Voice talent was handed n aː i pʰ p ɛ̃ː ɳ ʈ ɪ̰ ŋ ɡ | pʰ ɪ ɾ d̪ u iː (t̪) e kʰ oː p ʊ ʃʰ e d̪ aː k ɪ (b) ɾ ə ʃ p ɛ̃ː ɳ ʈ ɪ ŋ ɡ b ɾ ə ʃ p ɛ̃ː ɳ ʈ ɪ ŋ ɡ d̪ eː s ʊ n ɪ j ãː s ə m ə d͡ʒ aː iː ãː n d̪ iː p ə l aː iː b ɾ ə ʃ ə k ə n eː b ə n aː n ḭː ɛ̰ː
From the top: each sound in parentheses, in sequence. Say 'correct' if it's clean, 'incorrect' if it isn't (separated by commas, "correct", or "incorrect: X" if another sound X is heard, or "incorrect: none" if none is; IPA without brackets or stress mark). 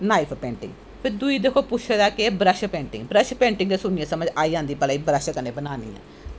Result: incorrect: d̪, correct